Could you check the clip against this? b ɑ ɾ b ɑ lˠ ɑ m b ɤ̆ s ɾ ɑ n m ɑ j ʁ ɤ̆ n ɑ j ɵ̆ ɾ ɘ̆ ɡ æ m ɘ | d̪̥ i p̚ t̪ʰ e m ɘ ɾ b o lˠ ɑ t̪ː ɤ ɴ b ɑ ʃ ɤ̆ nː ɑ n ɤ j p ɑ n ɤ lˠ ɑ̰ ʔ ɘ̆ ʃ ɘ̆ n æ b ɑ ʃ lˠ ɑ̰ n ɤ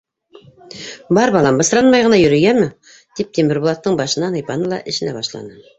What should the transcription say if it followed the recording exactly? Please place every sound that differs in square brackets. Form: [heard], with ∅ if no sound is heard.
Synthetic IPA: b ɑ ɾ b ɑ lˠ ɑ m b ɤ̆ s ɾ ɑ n m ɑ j ʁ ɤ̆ n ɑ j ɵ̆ ɾ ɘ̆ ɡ æ m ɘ | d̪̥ i p̚ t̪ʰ e m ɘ ɾ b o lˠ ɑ t̪ː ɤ ɴ b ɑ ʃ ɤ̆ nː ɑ n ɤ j p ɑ n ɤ lˠ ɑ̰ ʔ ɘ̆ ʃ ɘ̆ n æ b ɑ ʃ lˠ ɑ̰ n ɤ